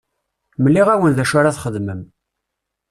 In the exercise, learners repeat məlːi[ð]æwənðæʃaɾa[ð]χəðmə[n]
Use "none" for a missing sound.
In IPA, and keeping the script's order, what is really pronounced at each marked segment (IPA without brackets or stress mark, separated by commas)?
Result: ʁ, θ, m